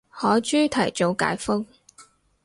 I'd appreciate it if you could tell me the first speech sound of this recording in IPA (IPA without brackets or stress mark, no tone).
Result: h